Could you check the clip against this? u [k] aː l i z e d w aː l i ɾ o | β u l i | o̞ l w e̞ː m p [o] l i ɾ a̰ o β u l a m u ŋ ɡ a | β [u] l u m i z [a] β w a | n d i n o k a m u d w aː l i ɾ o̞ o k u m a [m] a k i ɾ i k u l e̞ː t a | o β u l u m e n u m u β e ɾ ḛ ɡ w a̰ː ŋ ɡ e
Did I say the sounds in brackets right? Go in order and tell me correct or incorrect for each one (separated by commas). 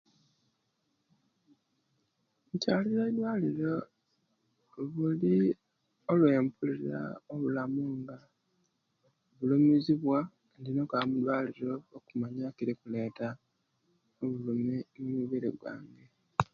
incorrect, incorrect, correct, incorrect, incorrect